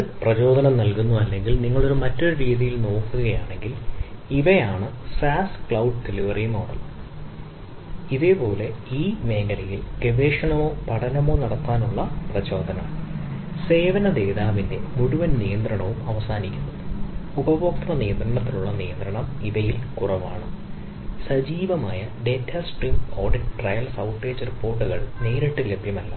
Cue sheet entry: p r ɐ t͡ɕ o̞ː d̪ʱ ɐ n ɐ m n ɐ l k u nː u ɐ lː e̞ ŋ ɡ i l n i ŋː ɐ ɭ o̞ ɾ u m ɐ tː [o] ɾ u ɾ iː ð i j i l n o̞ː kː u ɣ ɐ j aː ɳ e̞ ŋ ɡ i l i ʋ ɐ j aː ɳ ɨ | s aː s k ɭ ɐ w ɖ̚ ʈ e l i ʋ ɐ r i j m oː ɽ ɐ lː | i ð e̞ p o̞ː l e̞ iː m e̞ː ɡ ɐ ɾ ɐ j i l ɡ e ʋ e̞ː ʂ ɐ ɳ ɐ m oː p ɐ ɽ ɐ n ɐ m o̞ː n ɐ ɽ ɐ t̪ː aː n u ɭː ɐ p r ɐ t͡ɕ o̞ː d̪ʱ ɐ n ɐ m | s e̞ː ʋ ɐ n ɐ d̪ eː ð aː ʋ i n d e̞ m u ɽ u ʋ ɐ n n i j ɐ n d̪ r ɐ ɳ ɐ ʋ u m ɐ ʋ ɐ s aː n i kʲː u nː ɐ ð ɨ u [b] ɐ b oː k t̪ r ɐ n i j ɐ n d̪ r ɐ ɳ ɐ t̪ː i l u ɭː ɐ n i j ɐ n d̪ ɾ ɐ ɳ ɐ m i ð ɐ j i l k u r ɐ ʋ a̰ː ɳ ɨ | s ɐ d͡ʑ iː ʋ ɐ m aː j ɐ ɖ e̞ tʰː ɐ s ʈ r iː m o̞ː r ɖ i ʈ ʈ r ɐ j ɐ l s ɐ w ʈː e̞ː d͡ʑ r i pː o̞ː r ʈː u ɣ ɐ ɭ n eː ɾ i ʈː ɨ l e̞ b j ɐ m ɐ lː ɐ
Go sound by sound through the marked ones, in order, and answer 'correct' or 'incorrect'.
correct, correct

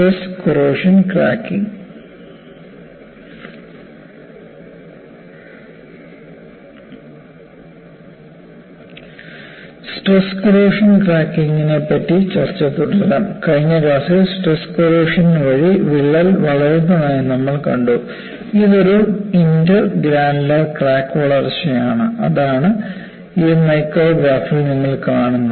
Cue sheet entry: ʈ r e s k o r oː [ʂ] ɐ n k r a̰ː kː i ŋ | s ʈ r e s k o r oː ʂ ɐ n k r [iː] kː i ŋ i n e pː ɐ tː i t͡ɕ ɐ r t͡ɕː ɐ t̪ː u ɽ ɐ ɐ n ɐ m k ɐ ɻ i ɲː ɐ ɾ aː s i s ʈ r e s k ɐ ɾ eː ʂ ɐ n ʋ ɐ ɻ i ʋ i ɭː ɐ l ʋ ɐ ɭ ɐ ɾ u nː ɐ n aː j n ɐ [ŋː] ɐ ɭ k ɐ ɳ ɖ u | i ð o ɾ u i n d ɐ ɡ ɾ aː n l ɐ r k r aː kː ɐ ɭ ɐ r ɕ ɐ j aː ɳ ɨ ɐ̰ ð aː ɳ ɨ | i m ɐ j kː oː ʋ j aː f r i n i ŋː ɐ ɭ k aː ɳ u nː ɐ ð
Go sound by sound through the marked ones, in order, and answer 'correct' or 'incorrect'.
correct, incorrect: aː, incorrect: mː

